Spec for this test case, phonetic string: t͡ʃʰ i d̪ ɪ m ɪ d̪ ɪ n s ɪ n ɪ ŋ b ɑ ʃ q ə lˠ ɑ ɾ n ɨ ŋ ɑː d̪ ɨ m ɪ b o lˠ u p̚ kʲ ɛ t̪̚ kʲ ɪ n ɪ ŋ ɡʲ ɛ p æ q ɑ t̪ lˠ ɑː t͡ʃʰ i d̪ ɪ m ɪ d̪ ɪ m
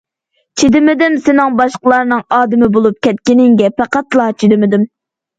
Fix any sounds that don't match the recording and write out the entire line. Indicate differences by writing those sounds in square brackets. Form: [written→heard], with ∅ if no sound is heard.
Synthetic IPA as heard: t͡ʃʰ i d̪ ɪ m ɪ d̪ ɪ [n→m] s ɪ n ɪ ŋ b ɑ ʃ q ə lˠ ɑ ɾ n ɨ ŋ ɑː d̪ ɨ m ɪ b o lˠ u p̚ kʲ ɛ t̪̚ kʲ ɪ n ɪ ŋ ɡʲ ɛ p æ q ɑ t̪ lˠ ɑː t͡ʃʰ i d̪ ɪ m ɪ d̪ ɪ m